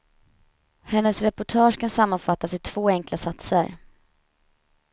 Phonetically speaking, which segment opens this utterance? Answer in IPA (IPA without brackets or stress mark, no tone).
h